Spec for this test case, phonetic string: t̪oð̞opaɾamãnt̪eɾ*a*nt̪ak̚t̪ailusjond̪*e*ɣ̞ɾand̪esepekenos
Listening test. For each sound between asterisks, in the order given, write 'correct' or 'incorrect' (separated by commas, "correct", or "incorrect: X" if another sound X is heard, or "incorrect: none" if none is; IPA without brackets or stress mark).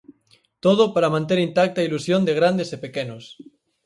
incorrect: i, correct